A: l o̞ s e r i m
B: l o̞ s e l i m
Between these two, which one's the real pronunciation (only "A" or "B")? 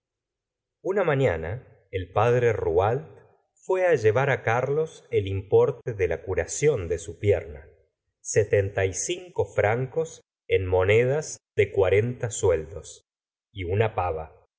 B